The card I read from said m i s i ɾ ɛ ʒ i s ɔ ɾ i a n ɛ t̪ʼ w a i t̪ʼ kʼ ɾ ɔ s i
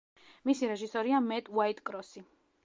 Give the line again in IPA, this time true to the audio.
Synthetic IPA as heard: m i s i ɾ ɛ ʒ i s ɔ ɾ i a m ɛ t̪ʼ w a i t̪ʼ kʼ ɾ ɔ s i